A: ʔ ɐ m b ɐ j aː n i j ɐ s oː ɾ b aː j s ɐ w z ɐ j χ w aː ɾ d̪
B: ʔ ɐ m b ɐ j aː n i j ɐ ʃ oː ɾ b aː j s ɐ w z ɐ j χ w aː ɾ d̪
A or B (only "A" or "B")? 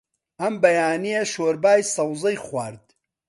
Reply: B